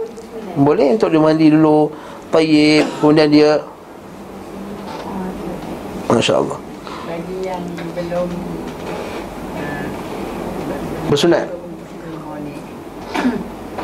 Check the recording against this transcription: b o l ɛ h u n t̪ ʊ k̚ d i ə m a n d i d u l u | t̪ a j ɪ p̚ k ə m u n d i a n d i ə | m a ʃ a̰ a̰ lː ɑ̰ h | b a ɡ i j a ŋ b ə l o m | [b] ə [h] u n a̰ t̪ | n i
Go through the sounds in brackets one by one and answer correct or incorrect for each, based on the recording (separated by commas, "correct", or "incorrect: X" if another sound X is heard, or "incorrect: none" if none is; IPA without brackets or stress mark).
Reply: correct, incorrect: s